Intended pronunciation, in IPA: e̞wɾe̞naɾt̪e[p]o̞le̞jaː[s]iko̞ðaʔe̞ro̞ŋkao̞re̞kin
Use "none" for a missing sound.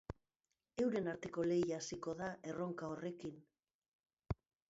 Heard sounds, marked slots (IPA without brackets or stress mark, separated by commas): k, s